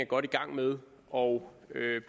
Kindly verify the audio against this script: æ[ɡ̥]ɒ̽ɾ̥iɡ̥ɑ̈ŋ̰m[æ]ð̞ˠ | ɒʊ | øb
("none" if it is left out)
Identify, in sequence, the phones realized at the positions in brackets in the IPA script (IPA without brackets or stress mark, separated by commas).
ɡ̥, e